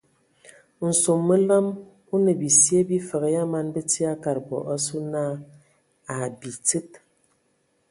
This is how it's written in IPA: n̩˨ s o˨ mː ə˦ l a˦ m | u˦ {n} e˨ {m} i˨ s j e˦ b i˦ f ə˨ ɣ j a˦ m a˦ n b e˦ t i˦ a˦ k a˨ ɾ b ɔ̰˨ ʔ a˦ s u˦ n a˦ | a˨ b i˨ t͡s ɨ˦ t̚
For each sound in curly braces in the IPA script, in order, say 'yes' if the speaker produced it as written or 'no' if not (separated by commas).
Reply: yes, no